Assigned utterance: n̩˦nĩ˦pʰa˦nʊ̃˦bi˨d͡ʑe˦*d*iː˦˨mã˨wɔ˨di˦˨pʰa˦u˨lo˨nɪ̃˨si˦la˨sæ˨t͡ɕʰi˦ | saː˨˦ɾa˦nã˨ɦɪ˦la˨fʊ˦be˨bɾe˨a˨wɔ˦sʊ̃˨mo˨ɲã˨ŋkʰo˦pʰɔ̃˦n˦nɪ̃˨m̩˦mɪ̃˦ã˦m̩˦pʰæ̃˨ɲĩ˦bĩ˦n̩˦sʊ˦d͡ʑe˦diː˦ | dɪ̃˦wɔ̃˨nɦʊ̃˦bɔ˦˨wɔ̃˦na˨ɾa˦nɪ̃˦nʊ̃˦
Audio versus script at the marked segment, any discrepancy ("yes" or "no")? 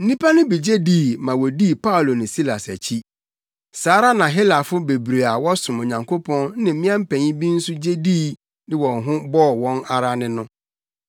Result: no